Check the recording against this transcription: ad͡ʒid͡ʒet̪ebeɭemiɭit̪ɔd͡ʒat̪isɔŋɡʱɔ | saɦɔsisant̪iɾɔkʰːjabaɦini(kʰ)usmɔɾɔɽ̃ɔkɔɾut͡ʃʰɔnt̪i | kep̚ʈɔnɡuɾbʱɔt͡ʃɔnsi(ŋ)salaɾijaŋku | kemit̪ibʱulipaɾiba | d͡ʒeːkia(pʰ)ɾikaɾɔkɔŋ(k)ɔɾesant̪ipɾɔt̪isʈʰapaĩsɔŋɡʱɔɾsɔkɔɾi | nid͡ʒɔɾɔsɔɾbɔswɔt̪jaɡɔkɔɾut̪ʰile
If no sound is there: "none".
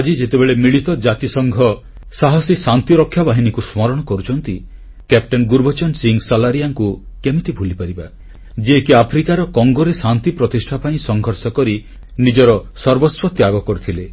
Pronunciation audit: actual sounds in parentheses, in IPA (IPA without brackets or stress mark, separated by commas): k, ŋ, pʰ, ɡ